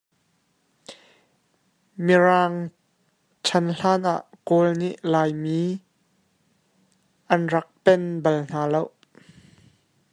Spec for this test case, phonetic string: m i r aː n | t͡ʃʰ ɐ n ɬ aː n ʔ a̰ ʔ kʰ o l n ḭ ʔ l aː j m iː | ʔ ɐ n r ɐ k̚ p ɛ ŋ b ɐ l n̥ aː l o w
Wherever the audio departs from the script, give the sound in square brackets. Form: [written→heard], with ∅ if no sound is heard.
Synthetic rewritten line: m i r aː [n→ŋ] | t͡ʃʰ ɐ n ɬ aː n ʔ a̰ ʔ [kʰ→k] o l n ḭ ʔ l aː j m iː | ʔ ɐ n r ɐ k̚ p ɛ [ŋ→n] b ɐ l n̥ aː l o w